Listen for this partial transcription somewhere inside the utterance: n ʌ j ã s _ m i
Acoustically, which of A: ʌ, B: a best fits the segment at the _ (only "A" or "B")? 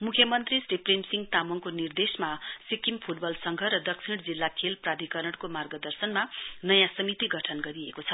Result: A